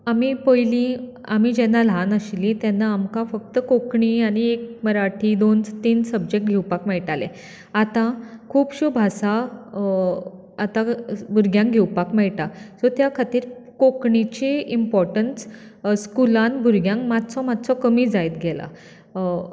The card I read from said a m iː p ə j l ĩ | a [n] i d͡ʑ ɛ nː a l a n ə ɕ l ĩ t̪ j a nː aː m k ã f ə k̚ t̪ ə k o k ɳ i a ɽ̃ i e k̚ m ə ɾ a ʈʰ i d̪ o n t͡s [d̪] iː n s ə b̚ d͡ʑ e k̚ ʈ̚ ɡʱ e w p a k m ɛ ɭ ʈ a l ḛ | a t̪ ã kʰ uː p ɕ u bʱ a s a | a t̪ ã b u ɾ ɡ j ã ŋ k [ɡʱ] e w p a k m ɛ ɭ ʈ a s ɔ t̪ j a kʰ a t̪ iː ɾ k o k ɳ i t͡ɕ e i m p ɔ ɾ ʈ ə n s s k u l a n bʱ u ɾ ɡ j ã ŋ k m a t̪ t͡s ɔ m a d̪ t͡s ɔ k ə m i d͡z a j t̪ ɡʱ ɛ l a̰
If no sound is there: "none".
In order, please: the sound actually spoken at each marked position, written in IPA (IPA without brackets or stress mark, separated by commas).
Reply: m, t̪, ɡʱ